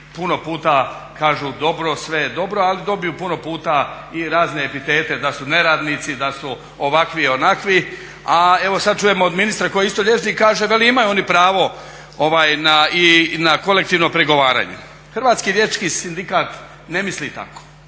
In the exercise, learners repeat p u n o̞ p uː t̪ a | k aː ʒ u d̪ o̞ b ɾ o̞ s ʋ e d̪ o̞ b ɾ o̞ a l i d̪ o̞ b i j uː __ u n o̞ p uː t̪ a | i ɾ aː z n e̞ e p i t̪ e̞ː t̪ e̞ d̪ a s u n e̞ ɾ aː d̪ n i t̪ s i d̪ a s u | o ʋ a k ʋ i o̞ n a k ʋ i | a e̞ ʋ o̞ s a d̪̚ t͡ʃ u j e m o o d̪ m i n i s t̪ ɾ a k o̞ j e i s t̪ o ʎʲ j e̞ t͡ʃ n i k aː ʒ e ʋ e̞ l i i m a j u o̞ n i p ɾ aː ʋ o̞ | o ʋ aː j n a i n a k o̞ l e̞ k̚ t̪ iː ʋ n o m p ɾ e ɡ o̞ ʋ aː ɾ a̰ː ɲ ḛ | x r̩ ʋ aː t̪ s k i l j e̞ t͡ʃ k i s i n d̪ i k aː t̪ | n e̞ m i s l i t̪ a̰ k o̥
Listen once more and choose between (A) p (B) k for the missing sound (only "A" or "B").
A